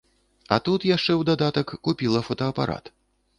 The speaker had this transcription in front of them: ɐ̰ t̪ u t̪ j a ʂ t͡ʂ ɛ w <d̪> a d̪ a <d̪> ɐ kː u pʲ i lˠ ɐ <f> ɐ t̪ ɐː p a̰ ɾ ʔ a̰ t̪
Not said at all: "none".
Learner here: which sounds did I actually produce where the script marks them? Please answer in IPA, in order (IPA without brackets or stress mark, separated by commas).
d̪, t̪, f